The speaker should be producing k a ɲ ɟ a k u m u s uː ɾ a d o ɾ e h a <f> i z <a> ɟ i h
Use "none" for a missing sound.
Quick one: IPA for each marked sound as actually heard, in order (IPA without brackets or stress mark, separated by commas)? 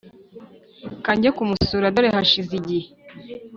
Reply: ʃ, i